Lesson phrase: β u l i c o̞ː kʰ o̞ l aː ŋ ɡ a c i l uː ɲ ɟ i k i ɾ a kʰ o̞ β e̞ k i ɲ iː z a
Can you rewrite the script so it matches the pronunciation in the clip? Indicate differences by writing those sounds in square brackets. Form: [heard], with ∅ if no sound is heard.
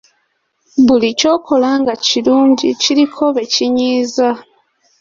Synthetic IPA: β u l i c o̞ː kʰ o̞ l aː ŋ ɡ a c i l uː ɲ ɟ i [c] i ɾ [i] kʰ o̞ β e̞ [c] i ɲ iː z a